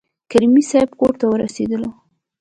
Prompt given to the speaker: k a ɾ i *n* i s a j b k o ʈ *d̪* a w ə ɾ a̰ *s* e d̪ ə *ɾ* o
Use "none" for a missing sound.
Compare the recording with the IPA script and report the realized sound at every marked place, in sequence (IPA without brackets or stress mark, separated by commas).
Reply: m, t̪, s, l